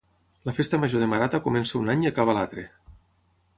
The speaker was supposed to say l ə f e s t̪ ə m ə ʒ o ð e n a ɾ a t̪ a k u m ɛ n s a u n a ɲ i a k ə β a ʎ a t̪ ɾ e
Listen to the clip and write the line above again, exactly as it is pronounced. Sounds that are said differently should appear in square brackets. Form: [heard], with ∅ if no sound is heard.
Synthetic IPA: l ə f e s t̪ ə m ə ʒ o ð e [m] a ɾ a t̪ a k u m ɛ n s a u n a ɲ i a k [a] β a [l] a t̪ ɾ e